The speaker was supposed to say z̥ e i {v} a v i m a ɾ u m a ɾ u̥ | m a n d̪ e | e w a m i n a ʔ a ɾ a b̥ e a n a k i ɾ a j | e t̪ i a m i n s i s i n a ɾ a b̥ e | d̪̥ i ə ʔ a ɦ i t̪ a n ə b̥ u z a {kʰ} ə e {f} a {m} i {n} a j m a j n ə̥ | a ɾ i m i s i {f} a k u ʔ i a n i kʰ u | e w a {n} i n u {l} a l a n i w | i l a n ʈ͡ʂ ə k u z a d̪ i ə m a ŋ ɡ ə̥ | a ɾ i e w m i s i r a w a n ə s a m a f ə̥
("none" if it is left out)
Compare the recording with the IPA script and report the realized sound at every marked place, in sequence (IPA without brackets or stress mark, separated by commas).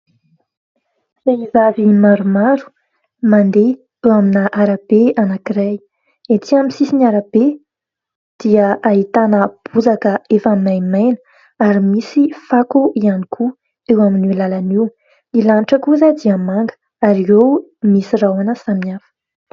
z, k, f, m, n, f, m, l